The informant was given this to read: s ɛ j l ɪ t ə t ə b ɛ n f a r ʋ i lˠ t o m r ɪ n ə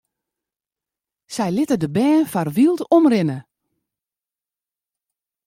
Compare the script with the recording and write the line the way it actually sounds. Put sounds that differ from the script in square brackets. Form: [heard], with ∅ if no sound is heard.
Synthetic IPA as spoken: s ɛ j l ɪ t ə [d] ə b [ɛː] n f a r ʋ i lˠ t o m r ɪ n ə